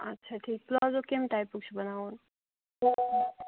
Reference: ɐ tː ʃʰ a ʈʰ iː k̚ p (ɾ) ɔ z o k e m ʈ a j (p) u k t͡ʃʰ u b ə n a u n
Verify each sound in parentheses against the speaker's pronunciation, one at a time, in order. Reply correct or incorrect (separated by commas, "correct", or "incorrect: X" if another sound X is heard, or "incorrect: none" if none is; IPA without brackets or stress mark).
incorrect: l, correct